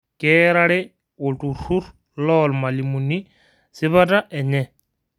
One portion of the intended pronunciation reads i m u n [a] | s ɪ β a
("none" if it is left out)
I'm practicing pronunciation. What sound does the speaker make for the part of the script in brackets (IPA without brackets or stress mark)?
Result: i